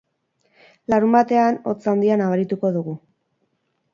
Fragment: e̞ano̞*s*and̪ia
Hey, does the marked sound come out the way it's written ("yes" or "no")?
no